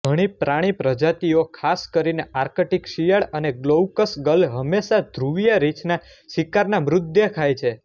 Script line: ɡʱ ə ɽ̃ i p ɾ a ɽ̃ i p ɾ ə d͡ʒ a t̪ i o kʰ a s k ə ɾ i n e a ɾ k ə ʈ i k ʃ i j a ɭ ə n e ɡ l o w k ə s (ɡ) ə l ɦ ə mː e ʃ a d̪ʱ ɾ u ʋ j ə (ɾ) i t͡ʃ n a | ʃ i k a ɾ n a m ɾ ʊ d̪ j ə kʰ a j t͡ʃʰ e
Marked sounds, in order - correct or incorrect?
correct, correct

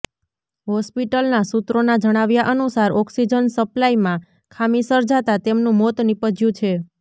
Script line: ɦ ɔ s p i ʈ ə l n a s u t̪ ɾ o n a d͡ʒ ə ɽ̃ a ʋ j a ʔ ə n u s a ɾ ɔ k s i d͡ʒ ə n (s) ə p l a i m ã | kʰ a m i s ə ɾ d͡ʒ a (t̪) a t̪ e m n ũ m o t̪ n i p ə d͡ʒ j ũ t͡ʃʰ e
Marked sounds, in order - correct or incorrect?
correct, correct

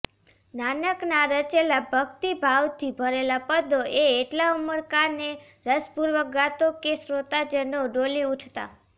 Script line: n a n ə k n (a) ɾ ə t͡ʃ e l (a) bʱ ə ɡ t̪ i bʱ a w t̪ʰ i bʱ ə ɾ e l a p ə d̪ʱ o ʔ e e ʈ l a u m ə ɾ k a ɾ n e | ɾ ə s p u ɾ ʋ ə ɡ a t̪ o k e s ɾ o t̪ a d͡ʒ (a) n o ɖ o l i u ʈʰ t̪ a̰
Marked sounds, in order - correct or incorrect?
correct, correct, incorrect: ə

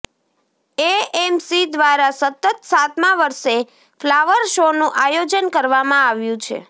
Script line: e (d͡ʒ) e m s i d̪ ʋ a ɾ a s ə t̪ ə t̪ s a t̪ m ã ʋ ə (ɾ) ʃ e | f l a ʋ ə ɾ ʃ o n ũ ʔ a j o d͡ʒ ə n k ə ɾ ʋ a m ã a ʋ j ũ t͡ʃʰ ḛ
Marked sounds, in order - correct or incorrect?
incorrect: none, correct

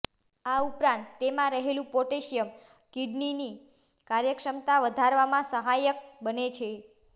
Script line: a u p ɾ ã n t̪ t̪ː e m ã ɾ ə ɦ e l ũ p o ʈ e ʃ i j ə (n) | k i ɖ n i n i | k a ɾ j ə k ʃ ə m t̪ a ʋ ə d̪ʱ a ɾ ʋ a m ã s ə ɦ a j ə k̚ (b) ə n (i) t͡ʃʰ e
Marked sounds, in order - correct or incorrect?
incorrect: m, correct, incorrect: e

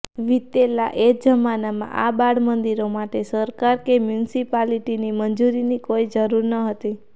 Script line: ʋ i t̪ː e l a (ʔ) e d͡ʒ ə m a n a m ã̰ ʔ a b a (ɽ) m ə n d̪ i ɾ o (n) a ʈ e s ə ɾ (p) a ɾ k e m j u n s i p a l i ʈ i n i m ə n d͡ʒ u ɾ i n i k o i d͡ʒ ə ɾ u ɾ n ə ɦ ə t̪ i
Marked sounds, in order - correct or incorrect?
correct, correct, incorrect: m, incorrect: k

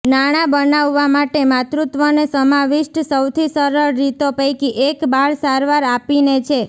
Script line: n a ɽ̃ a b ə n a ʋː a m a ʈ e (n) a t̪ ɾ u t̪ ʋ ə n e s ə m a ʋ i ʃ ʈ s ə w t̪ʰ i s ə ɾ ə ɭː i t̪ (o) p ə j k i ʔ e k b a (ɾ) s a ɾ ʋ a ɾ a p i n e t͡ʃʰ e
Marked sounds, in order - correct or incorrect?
incorrect: m, correct, incorrect: ɭ

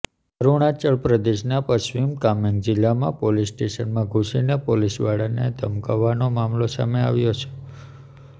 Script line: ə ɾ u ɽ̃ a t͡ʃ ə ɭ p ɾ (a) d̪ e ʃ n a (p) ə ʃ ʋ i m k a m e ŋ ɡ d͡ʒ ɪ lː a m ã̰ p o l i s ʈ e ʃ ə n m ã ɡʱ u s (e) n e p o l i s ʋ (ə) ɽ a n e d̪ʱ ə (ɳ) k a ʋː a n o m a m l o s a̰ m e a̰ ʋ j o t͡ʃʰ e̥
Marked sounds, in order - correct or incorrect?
incorrect: ə, correct, incorrect: i, incorrect: a, incorrect: m

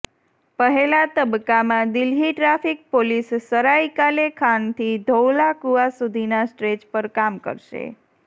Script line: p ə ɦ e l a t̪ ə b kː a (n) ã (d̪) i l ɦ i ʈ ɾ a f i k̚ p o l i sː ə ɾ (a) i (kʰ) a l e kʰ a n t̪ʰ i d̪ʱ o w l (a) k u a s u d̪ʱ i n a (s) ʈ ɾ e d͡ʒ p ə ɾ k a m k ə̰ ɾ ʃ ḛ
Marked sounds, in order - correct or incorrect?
incorrect: m, correct, correct, incorrect: k, correct, correct

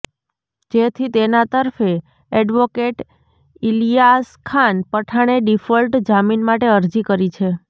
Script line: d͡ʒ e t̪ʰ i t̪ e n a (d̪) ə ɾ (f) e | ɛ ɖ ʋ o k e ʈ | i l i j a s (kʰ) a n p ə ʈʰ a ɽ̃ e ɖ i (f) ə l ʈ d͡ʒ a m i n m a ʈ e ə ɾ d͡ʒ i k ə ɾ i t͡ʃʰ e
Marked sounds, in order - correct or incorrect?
incorrect: t̪, correct, correct, correct

